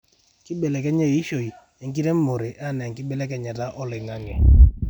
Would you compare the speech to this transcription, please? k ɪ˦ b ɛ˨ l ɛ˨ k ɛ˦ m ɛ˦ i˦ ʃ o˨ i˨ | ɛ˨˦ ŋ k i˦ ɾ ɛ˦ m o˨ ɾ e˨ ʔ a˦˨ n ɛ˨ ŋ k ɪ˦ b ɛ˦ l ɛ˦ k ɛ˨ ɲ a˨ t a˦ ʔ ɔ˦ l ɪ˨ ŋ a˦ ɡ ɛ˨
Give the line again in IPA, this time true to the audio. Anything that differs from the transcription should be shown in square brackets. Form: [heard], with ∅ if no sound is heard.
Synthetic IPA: k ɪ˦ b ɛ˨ l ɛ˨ k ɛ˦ [ɲ] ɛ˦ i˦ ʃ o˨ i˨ | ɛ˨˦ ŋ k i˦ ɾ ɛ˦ m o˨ ɾ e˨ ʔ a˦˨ n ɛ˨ ŋ k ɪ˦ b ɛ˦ l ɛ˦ k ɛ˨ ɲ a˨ t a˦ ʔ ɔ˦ l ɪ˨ ŋ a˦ [ŋ] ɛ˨